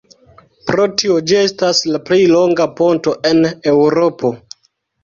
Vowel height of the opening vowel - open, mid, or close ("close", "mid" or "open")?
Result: mid